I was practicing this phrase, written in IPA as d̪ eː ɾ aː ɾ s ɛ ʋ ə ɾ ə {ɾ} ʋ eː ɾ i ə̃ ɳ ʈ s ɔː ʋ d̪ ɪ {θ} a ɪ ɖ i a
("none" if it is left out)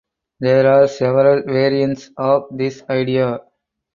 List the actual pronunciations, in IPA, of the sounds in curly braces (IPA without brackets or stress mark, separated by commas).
l, s